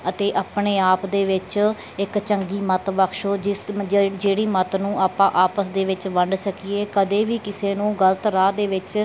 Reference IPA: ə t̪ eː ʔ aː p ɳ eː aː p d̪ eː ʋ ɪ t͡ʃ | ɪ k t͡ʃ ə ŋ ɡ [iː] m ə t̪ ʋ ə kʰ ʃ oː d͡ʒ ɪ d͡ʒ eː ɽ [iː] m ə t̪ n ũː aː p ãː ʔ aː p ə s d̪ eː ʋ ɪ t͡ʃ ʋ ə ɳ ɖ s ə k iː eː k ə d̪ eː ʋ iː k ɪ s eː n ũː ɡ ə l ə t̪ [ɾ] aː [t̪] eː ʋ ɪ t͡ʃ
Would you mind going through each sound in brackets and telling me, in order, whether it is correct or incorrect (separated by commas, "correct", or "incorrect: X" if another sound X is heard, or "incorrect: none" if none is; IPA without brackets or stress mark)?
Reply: correct, correct, correct, incorrect: d̪